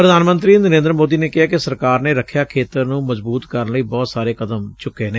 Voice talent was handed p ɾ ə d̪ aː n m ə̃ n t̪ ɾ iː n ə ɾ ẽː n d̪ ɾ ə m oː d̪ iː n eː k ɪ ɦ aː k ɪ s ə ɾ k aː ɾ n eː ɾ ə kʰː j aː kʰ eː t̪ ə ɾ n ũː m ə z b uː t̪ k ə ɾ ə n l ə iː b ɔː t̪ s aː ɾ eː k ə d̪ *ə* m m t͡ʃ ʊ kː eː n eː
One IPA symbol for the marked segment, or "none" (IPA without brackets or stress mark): ə